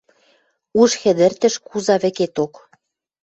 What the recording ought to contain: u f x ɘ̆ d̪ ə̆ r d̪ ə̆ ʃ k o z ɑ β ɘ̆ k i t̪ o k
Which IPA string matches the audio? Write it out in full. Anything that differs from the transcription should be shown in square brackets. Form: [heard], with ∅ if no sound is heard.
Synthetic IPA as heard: u [ʃ] x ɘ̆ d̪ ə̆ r [t̪] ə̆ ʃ k [u] z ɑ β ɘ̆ k [e] t̪ o k